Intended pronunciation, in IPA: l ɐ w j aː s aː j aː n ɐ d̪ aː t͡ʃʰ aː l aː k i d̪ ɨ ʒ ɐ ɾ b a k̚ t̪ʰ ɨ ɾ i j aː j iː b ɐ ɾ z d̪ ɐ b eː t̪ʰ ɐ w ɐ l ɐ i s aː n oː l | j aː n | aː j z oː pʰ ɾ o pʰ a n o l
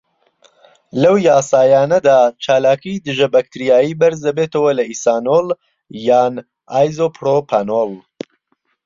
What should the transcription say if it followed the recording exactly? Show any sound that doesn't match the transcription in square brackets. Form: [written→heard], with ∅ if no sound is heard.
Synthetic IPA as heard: l ɐ w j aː s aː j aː n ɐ d̪ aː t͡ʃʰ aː l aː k i d̪ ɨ ʒ ɐ [ɾ→∅] b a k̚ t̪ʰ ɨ ɾ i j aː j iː b ɐ ɾ z d̪ ɐ b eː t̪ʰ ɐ w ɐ l ɐ i s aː n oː l | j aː n | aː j z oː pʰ ɾ o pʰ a n o l